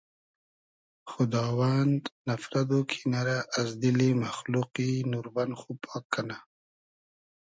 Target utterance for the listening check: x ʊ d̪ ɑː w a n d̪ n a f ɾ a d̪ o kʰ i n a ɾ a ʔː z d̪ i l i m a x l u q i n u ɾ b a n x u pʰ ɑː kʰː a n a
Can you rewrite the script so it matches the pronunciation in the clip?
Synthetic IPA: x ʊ d̪ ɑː w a n d̪ n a f ɾ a d̪ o kʰ i n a ɾ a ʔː z d̪ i l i m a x l u q i n u ɾ b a n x u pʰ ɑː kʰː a n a

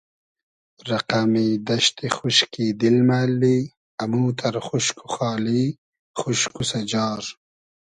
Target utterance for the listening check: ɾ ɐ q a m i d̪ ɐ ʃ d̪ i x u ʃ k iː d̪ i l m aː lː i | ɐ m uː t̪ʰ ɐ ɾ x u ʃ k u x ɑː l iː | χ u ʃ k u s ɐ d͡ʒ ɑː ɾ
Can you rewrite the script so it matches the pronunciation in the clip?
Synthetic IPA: ɾ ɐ q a m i d̪ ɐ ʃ t̪ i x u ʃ k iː d̪ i l m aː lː i | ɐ m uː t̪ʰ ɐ ɾ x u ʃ k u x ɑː l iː | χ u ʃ k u s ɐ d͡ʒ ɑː ɾ

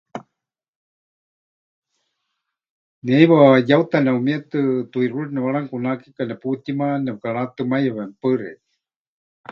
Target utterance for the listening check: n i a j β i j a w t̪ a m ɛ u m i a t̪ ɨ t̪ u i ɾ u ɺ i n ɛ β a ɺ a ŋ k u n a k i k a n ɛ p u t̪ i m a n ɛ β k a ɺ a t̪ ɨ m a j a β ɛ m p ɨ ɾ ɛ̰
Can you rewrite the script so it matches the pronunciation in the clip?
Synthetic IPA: n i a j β a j a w t̪ a n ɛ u m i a t̪ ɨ t̪ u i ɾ u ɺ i n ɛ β a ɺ a ŋ k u n a k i k a n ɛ p u t̪ i m a n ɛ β k a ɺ a t̪ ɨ m a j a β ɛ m p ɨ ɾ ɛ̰

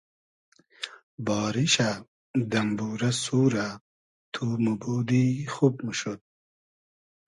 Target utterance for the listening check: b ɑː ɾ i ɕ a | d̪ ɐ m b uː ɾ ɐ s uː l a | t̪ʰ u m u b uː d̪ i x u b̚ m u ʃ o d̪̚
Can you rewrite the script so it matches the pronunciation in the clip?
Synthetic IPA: b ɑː ɾ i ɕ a | d̪ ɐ m b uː ɾ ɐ s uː ɾ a | t̪ʰ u m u b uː d̪ i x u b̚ m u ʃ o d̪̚

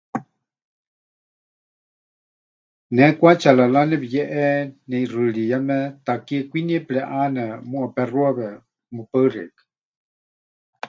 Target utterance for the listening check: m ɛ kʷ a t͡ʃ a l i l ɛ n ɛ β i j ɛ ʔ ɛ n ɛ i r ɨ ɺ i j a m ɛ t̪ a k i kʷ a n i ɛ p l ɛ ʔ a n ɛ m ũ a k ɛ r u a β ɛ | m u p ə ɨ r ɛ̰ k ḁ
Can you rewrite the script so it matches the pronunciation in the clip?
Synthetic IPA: n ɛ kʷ a t͡ʃ a l a l a n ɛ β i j ɛ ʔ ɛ n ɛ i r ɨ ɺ i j a m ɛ t̪ a k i kʷ i n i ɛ p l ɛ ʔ a n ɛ m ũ a p ɛ r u a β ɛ | m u p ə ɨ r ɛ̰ k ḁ

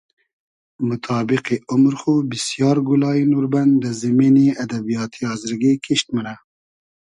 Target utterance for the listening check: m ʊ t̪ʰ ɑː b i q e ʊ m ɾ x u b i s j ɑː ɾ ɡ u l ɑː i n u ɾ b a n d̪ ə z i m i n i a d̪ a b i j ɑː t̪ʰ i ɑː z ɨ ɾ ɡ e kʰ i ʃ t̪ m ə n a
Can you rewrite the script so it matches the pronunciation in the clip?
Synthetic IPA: m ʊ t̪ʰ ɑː b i q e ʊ m ɾ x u b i s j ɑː ɾ ɡ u l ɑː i n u ɾ b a n d̪ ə z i m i n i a d̪ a b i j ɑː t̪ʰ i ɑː z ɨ ɾ ɡ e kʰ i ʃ t̪ m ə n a

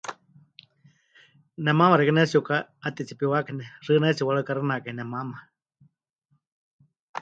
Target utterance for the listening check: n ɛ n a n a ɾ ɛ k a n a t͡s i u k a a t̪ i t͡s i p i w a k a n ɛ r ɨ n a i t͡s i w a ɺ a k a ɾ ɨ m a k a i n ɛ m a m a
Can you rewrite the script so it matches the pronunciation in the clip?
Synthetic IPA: n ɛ m a m a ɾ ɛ k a n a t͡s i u k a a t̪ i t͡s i p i w a k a n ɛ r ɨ n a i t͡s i w a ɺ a k a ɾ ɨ n a k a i n ɛ m a m a

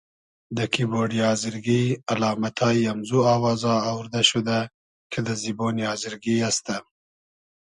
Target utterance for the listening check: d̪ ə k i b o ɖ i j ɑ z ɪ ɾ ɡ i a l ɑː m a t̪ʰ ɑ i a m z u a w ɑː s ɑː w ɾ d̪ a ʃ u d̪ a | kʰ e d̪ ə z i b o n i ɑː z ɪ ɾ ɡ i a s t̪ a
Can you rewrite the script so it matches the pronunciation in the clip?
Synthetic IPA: d̪ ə k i b o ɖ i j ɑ z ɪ ɾ ɡ i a l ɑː m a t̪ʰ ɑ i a m z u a w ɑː z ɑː w ɾ d̪ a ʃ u d̪ a | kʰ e d̪ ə z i b o n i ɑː z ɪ ɾ ɡ i a s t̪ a

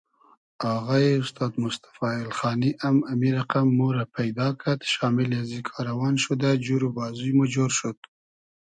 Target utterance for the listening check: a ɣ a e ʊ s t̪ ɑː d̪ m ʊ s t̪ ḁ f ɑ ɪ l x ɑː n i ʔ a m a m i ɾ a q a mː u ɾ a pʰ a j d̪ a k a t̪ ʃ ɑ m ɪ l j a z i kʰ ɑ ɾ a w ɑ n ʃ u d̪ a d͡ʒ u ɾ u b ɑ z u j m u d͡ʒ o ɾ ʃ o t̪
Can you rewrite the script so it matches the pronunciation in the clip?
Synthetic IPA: a ɣ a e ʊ s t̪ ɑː d̪ m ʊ s t̪ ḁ f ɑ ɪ l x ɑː n i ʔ a m a m i ɾ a q a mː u ɾ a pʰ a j d̪ ɑ k a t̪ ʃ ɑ m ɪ l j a z i kʰ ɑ ɾ a w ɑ n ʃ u d̪ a d͡ʒ u ɾ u b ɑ z u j m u d͡ʒ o ɾ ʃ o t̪

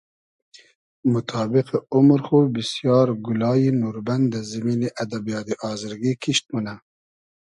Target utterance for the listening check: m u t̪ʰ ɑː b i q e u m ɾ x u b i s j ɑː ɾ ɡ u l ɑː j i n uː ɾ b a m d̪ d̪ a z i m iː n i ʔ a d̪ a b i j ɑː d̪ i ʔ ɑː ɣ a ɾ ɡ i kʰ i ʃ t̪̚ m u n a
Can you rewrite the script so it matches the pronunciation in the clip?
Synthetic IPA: m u t̪ʰ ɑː b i q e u m ɾ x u b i s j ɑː ɾ ɡ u l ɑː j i n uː ɾ b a n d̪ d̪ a z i m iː n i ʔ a d̪ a b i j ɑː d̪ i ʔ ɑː z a ɾ ɡ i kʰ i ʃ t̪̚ m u n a

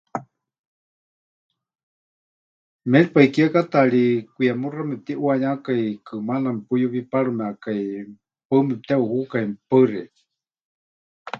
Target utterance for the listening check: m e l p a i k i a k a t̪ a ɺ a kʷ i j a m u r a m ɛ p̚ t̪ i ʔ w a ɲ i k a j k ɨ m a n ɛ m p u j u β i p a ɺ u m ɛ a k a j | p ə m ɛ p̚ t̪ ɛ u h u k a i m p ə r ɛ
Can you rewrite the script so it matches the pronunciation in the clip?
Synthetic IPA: m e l p a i k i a k a t̪ a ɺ i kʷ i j a m u r a m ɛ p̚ t̪ i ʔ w a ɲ a k a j k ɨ m a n a m p u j u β i p a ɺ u m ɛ a k a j | p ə m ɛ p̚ t̪ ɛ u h u k a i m p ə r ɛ

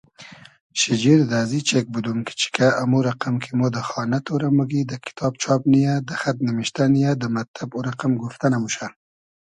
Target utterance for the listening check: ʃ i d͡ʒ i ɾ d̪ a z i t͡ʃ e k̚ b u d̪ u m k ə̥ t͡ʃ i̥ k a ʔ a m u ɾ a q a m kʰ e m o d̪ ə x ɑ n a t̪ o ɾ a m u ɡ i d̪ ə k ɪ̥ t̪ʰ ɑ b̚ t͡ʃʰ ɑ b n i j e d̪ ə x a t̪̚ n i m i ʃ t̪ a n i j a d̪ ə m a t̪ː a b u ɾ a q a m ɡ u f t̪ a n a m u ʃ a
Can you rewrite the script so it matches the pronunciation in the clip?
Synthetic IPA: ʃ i d͡ʒ i ɾ d̪ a z i t͡ʃ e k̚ b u d̪ u m k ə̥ t͡ʃ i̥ k a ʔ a m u ɾ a q a m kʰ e m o d̪ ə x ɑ n a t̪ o ɾ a m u ɡ i d̪ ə k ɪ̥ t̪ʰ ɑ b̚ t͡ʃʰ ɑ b n i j a d̪ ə x a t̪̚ n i m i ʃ t̪ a n i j a d̪ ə m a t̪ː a b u ɾ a q a m ɡ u f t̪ a n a m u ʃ a

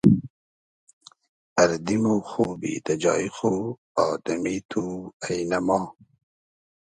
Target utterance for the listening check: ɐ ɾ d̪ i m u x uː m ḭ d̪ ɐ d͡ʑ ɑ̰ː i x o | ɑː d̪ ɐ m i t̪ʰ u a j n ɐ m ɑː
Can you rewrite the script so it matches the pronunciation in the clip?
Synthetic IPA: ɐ ɾ d̪ i m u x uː b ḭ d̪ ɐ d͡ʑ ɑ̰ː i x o | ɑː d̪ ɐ m i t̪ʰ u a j n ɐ m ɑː

